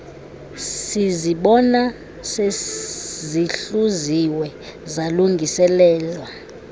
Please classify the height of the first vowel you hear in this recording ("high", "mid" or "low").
high